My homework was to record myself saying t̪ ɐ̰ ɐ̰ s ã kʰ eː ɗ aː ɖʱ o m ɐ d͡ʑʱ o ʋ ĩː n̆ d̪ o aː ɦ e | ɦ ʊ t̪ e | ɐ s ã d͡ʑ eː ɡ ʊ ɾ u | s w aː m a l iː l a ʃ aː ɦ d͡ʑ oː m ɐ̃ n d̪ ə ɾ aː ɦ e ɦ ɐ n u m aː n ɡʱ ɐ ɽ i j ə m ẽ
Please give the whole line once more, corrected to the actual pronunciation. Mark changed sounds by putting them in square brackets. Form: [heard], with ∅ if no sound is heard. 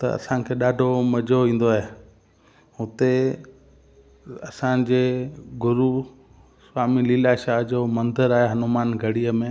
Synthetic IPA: t̪ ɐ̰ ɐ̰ s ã kʰ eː ɗ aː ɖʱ o m ɐ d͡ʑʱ o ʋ ĩː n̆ d̪ o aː ɦ e | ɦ ʊ t̪ e | ɐ s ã d͡ʑ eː ɡ ʊ ɾ u | s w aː m [i] l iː l a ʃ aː ɦ d͡ʑ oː m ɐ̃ n d̪ ə ɾ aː ɦ e ɦ ɐ n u m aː n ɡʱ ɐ ɽ i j ə m ẽ